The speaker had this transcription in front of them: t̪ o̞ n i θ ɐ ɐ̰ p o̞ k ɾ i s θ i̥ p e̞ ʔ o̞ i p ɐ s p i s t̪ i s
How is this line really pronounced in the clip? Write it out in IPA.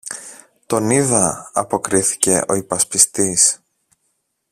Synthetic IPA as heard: t̪ o̞ n i ð ɐ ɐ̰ p o̞ k ɾ i θ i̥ c e̞ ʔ o̞ i p ɐ s p i s t̪ i s